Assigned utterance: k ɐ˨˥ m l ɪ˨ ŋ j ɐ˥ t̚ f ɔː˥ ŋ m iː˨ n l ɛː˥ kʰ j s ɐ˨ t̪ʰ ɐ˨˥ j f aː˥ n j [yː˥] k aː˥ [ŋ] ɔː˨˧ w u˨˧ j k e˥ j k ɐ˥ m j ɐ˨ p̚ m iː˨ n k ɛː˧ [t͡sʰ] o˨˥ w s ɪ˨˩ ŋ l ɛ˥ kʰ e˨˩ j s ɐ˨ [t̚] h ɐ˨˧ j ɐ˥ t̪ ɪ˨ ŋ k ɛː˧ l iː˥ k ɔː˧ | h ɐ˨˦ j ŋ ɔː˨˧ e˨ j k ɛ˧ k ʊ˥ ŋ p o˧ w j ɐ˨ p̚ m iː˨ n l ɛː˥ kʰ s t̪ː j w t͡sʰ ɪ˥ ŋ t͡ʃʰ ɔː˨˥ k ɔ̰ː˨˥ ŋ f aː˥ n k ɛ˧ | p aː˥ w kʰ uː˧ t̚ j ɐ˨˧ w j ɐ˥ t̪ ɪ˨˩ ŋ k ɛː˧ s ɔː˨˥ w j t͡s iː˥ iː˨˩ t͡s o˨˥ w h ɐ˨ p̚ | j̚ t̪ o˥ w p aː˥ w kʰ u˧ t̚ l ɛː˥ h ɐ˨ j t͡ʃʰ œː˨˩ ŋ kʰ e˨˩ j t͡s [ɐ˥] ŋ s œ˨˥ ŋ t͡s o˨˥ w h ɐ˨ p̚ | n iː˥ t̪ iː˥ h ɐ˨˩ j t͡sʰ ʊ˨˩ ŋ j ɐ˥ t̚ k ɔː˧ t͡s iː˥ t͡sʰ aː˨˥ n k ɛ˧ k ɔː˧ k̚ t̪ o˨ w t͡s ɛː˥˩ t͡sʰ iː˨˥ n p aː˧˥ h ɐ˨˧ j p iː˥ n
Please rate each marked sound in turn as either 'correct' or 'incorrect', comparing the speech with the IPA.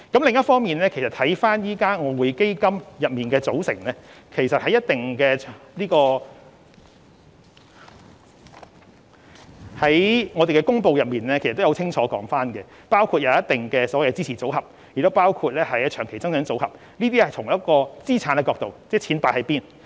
incorrect: iː˥, correct, incorrect: t͡s, correct, correct

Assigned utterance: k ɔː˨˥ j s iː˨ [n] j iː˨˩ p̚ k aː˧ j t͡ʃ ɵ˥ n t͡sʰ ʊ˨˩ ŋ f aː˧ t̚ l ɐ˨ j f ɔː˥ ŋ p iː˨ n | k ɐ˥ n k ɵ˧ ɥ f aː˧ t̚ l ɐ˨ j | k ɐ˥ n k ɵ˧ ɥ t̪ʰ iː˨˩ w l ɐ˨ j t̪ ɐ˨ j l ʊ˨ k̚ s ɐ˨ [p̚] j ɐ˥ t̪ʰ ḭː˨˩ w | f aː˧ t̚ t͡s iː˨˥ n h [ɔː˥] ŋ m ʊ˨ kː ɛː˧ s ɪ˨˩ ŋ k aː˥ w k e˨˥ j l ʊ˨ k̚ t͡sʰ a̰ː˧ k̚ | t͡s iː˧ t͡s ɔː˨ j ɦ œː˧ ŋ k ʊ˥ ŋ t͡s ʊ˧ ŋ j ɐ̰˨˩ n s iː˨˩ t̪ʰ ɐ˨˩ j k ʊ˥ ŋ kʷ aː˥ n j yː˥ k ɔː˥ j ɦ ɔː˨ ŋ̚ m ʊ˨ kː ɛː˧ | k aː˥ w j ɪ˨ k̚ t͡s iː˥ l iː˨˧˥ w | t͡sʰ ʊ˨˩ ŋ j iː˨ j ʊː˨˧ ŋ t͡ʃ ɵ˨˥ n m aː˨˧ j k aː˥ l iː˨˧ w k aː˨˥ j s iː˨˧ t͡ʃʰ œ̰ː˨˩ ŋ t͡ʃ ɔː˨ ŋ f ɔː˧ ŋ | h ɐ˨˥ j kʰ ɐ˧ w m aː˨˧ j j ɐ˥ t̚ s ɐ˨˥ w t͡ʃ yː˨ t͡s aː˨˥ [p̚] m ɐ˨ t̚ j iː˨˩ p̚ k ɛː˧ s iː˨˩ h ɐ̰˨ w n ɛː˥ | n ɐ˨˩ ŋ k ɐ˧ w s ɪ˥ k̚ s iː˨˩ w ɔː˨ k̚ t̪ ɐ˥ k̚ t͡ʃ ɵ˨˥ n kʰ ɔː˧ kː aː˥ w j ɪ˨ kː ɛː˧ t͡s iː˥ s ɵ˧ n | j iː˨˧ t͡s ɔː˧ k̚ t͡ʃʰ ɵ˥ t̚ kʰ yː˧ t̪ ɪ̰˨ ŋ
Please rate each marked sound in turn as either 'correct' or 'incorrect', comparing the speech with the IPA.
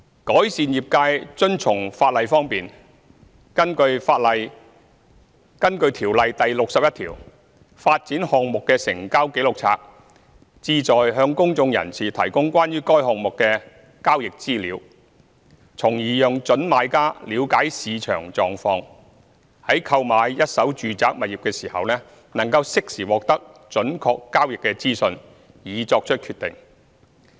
correct, correct, incorrect: ɔː˨, incorrect: k̚

